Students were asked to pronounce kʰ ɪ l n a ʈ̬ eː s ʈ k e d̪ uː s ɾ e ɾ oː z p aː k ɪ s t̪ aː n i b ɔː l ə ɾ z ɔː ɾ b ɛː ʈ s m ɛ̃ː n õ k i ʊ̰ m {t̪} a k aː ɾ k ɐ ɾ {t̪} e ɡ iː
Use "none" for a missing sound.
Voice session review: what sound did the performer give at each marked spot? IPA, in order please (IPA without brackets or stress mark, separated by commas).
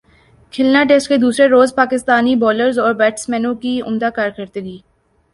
d̪, t̪